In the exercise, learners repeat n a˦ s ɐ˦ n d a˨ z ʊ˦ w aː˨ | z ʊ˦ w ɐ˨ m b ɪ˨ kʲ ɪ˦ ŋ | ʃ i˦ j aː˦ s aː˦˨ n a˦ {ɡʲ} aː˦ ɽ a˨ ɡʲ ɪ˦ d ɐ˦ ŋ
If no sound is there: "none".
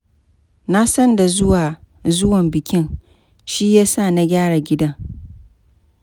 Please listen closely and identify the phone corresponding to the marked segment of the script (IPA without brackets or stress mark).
ɡʲ